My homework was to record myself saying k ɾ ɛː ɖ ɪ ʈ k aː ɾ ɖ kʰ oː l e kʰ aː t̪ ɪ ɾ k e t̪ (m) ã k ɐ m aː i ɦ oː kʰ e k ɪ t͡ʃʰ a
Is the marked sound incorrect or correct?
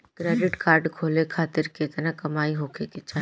incorrect